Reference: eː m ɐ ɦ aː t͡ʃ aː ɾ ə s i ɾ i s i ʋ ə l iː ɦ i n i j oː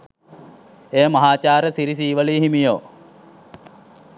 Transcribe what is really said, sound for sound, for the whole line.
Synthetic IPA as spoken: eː m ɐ ɦ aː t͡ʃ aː ɾ ə s i ɾ i s iː ʋ ə l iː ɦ i m i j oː